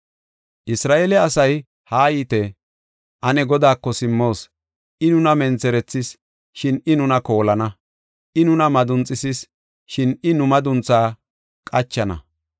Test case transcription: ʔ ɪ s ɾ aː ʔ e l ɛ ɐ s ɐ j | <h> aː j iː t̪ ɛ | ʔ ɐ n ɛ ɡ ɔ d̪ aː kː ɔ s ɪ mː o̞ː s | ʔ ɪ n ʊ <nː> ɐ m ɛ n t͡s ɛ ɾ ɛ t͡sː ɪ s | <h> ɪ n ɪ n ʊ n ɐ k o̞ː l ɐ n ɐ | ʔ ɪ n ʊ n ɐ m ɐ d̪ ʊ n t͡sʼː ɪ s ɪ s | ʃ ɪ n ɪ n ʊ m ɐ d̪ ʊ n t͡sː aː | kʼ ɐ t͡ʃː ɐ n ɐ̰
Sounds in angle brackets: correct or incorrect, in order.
correct, incorrect, incorrect

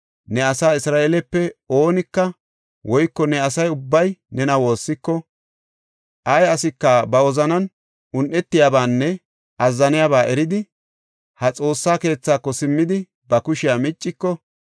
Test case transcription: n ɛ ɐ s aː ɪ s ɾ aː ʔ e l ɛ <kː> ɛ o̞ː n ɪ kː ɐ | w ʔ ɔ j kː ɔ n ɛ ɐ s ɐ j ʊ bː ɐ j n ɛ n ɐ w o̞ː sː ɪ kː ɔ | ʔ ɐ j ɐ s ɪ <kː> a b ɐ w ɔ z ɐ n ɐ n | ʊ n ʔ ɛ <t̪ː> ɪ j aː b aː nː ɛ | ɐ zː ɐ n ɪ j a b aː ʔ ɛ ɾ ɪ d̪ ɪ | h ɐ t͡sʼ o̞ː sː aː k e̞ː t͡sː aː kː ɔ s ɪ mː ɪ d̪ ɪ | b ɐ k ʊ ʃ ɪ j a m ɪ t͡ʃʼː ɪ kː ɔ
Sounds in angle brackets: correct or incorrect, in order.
incorrect, correct, correct

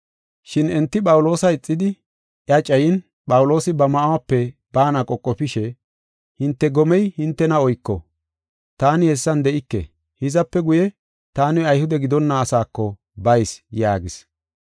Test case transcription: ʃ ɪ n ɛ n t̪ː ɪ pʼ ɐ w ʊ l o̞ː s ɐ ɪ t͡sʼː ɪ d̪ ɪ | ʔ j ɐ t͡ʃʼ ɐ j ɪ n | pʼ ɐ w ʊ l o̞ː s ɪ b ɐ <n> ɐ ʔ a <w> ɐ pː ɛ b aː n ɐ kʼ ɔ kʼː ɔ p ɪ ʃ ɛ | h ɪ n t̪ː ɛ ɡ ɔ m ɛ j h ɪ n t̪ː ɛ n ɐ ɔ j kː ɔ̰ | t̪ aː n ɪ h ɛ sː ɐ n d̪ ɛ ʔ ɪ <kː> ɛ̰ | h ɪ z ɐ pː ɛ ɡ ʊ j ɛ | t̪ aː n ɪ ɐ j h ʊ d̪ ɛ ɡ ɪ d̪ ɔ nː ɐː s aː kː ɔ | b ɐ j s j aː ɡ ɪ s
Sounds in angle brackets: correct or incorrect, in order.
incorrect, correct, correct

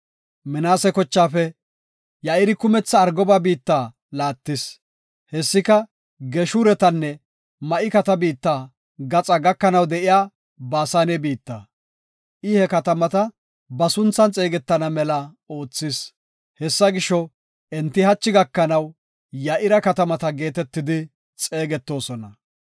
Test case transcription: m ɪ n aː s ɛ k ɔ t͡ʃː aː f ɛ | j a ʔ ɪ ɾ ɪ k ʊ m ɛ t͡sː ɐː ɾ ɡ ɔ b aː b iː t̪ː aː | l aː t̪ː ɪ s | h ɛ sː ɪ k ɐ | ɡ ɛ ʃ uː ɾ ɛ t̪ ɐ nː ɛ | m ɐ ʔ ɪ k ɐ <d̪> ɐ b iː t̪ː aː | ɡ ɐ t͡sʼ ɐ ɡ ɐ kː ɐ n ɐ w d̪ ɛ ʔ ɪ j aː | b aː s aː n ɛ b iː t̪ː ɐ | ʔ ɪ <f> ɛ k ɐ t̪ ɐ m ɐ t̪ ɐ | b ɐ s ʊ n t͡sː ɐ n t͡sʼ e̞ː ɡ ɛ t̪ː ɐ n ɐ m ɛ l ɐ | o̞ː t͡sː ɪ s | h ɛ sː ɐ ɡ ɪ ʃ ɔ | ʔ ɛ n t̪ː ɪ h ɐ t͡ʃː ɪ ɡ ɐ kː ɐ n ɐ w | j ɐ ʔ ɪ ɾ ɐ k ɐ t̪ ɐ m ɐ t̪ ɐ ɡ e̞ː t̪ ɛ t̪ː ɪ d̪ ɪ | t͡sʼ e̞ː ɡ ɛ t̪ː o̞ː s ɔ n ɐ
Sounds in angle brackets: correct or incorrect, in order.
incorrect, incorrect

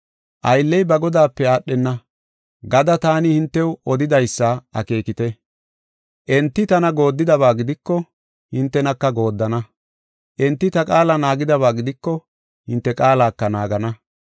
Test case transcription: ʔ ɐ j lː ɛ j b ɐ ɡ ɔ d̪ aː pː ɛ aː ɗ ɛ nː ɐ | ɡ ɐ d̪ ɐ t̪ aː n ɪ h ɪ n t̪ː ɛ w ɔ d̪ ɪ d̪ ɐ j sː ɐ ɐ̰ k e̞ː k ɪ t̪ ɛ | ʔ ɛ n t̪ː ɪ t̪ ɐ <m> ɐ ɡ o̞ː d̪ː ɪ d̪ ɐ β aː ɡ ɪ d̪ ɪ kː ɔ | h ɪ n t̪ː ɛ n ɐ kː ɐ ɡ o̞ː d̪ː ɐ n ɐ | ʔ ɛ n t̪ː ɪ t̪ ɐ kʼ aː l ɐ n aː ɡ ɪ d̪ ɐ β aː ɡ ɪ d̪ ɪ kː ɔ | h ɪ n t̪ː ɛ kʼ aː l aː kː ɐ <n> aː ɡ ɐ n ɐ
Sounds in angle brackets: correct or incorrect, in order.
incorrect, correct

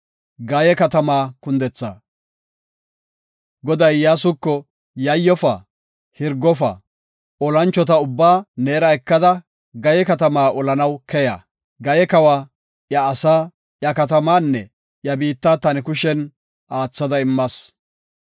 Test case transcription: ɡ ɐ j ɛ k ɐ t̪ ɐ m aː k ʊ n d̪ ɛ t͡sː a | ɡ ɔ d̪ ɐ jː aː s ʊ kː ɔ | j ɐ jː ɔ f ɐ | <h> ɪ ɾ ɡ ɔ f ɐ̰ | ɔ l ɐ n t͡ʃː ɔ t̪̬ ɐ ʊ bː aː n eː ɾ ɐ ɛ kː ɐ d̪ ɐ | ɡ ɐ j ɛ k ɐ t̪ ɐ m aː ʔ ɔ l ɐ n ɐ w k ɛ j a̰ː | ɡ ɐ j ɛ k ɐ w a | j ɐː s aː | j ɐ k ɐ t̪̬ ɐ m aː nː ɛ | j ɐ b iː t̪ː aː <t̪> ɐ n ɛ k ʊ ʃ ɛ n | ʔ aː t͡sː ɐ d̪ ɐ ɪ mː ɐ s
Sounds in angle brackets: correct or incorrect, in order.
correct, correct

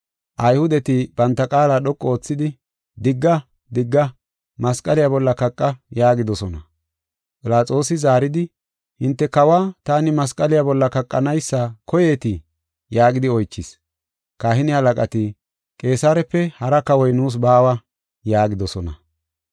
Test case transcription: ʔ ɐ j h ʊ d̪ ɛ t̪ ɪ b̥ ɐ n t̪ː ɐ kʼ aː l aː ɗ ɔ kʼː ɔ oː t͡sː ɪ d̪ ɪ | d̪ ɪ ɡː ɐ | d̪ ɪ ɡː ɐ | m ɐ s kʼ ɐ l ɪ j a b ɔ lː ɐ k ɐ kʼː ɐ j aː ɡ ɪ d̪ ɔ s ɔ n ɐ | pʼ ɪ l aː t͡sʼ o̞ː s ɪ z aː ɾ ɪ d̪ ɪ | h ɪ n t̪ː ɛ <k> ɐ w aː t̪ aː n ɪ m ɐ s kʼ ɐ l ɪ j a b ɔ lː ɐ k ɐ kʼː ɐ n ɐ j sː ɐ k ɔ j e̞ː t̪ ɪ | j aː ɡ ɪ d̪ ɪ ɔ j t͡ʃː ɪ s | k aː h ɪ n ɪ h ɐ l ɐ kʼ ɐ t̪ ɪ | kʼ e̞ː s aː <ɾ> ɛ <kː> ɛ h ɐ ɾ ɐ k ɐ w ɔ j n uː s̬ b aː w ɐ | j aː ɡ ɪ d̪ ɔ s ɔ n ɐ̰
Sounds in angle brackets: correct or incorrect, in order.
correct, correct, incorrect

